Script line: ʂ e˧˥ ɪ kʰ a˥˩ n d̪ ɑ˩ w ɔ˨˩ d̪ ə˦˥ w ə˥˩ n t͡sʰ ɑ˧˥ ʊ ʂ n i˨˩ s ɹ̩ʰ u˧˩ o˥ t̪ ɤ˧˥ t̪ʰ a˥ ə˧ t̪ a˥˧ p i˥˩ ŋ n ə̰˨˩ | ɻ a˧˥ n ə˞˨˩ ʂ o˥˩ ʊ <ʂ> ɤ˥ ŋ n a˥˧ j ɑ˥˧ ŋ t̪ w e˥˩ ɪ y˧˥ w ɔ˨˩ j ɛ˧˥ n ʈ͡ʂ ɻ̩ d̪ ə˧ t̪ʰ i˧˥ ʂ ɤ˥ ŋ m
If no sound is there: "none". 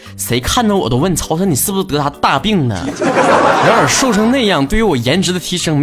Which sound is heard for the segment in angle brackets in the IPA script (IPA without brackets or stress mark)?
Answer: ʂ